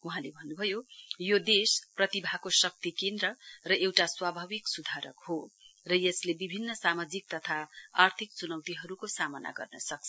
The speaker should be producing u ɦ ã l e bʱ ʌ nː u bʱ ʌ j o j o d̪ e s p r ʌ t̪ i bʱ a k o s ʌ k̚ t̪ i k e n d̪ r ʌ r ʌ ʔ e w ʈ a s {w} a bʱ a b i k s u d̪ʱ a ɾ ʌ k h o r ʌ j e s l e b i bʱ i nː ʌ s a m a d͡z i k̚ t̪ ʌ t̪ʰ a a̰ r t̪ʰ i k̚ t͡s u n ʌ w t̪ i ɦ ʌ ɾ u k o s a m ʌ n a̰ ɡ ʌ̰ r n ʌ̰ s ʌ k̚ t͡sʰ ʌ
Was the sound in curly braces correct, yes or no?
yes